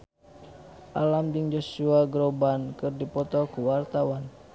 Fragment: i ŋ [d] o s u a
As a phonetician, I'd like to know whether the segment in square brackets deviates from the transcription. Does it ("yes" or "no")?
yes